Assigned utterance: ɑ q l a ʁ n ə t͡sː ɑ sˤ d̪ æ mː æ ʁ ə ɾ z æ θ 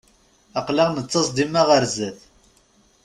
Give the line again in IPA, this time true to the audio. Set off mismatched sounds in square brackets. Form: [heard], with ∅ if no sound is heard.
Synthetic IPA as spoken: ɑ q l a ʁ n ə t͡sː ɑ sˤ d̪ [i] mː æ ʁ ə ɾ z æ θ

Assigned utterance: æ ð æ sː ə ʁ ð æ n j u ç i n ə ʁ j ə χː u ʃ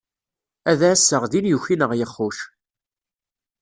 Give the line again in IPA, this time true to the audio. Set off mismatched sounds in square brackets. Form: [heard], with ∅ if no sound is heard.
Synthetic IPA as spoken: æ ð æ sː ə ʁ ð [i] n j u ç i n ə ʁ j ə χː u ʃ

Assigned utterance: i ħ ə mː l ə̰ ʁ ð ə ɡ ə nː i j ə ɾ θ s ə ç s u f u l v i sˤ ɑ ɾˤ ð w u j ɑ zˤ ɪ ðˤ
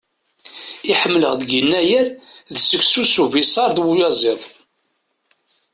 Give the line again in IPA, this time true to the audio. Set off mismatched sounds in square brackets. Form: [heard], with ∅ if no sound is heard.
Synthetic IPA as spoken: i ħ ə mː l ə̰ ʁ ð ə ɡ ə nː [æ] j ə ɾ [ð] s ə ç s u [s] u [∅] v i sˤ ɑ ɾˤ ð w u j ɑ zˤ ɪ ðˤ

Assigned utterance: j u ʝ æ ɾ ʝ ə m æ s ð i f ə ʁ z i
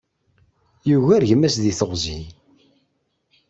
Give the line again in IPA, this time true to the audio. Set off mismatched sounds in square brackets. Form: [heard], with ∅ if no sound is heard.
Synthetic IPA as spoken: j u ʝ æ ɾ ʝ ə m æ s ð i [θ] ə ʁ z i

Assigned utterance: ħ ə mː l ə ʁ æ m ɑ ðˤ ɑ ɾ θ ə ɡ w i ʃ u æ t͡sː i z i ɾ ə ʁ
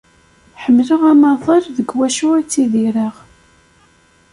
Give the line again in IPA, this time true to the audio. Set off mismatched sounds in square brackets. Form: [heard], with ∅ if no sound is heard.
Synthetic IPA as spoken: ħ ə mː l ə ʁ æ m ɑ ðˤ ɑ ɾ [ð] ə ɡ w [æ] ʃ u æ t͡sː i [ð] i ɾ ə ʁ

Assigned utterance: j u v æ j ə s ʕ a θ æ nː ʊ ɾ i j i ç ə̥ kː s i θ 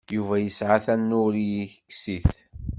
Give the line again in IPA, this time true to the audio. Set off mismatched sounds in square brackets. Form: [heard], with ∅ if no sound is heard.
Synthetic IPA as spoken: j u v æ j ə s ʕ a θ æ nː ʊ ɾ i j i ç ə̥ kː s i θ

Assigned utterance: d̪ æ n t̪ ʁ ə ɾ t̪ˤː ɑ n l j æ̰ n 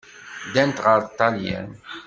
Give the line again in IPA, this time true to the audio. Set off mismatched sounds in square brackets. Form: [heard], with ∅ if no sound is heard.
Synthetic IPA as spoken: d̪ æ n t̪ ʁ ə ɾ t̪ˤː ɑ [∅] l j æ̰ n

